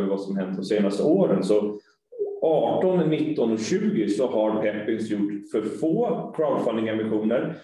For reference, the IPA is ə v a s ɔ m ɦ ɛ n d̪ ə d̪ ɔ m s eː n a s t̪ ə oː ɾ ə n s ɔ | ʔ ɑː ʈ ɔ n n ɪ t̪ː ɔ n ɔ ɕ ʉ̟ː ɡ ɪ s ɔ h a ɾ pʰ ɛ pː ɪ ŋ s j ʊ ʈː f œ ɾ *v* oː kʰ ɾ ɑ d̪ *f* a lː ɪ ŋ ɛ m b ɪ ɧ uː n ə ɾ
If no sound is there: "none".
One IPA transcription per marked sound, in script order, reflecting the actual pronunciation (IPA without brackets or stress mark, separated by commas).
f, f